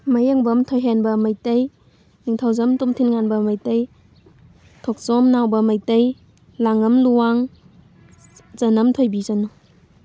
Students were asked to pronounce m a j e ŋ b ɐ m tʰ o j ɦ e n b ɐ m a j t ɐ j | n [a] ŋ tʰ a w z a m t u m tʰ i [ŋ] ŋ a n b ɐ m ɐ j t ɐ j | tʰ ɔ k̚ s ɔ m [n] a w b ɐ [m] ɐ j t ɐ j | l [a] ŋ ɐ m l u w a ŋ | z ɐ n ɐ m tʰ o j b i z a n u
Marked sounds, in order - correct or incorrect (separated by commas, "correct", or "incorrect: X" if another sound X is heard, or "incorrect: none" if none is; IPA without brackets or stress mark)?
incorrect: i, incorrect: n, correct, correct, correct